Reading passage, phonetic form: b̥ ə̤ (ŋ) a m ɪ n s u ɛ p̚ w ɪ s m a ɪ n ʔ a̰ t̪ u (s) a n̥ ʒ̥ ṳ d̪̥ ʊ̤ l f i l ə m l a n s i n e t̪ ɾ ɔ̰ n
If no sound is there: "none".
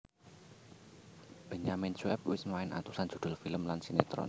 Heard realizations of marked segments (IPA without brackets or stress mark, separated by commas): ɲ, s